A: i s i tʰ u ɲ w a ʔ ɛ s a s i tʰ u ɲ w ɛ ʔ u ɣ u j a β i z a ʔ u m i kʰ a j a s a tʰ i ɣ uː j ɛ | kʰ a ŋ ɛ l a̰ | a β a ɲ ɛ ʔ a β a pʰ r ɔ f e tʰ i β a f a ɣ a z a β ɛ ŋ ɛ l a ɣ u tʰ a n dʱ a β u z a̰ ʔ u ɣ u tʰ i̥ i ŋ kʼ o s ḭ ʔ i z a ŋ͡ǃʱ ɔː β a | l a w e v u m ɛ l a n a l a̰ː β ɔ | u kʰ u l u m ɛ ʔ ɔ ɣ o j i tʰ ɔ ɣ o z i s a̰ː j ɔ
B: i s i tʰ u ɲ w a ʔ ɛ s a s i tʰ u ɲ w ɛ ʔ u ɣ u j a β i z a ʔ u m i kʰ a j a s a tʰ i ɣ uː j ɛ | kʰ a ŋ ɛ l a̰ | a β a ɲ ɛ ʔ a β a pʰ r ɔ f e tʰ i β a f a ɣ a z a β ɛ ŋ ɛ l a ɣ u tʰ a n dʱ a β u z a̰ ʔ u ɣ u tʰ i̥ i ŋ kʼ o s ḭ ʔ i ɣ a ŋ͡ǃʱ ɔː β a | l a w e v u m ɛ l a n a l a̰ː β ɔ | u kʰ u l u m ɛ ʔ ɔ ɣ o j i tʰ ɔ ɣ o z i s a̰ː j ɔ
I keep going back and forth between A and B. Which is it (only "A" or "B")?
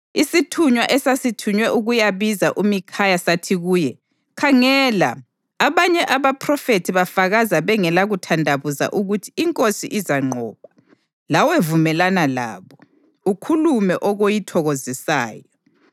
A